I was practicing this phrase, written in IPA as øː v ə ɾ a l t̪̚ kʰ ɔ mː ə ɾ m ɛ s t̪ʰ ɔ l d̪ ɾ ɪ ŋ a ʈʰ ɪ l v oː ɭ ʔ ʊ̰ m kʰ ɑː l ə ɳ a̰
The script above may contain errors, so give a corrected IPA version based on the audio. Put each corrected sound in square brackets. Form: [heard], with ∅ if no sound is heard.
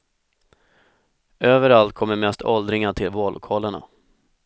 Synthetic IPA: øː v ə ɾ a l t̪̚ kʰ ɔ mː ə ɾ m ɛ s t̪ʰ ɔ l d̪ ɾ ɪ ŋ a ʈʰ ɪ l v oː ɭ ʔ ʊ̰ [∅] kʰ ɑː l ə ɳ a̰